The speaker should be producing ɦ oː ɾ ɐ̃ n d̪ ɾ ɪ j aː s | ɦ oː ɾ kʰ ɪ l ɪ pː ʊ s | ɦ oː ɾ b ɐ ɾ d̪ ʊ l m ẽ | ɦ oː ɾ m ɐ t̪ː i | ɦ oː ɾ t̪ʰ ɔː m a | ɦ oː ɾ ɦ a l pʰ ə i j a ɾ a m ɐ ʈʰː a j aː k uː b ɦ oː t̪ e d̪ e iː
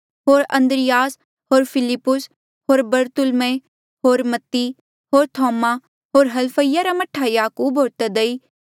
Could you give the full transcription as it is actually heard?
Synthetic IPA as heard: ɦ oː ɾ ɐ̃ n d̪ ɾ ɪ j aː s | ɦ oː ɾ pʰ ɪ l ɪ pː ʊ s | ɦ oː ɾ b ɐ ɾ t̪ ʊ l m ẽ | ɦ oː ɾ m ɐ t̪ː i | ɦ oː ɾ t̪ʰ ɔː m a | ɦ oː ɾ ɦ ɐ l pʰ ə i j a ɾ a m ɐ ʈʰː a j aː k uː b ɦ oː t̪ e d̪ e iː